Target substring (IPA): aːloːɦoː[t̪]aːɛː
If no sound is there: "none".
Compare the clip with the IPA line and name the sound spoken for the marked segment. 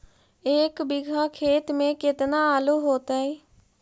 t̪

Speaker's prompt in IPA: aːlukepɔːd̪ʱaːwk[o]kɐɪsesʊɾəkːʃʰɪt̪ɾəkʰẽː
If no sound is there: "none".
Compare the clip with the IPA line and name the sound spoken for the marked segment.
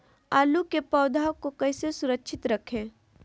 o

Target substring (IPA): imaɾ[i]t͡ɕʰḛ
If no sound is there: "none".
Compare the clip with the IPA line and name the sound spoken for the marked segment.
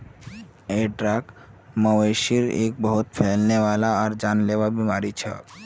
i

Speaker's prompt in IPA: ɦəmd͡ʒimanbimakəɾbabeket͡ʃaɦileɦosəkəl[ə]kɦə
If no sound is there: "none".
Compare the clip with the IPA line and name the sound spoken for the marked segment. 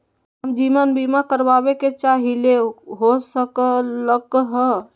ə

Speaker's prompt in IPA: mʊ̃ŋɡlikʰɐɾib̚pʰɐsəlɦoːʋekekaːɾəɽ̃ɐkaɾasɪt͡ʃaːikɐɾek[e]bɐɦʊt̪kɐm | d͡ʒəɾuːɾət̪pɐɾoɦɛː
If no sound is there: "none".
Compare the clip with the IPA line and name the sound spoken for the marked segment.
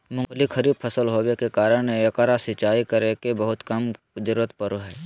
e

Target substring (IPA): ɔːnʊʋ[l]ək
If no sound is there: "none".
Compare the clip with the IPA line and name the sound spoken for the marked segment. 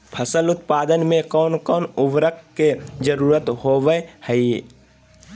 ɾ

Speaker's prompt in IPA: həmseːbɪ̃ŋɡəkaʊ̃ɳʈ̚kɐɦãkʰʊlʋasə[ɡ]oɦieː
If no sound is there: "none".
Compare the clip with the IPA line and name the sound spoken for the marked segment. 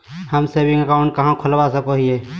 k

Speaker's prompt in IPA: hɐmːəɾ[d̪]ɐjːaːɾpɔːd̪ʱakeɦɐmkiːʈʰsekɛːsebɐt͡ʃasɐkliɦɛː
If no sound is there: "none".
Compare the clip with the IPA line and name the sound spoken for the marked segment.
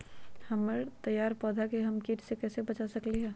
t̪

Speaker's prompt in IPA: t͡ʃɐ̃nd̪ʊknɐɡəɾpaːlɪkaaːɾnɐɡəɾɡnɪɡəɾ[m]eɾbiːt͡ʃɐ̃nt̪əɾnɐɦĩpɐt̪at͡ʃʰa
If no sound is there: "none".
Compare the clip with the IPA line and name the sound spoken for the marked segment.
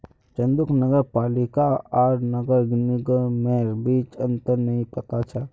m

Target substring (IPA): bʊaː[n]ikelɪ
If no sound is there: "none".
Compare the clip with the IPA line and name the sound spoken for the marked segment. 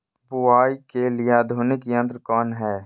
none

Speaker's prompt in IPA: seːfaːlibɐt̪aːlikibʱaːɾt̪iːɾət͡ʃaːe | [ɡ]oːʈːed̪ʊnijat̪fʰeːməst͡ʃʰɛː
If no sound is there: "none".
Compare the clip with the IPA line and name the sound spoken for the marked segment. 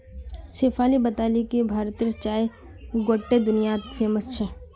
ɡ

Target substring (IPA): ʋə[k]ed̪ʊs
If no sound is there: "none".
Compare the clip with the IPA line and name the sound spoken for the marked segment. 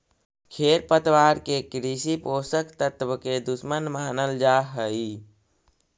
k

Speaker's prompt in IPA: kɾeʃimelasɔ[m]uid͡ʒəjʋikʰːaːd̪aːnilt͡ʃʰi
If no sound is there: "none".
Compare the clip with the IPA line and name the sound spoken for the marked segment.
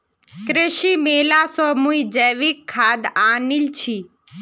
m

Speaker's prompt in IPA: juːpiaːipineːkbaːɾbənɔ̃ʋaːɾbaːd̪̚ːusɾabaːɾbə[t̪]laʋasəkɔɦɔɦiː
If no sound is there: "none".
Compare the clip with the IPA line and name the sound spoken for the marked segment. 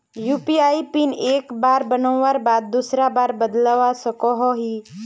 d̪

